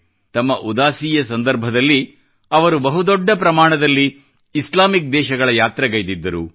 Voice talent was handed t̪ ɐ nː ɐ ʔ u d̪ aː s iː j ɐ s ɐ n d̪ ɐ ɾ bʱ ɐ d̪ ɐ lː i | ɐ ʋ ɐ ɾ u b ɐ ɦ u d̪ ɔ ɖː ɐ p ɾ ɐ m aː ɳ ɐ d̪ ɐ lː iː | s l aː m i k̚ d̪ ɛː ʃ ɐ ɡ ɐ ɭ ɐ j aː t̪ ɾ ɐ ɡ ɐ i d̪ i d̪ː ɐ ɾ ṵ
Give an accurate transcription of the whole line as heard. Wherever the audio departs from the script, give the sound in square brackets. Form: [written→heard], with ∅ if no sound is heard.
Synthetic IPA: t̪ ɐ [nː→mː] ɐ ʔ u d̪ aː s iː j ɐ s ɐ n d̪ ɐ ɾ bʱ ɐ d̪ ɐ lː i | ɐ ʋ ɐ ɾ u b ɐ ɦ u d̪ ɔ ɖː ɐ p ɾ ɐ m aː ɳ ɐ d̪ ɐ lː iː | s l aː m i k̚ d̪ ɛː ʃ ɐ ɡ ɐ ɭ ɐ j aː t̪ ɾ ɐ ɡ ɐ [i→j] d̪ i d̪ː ɐ ɾ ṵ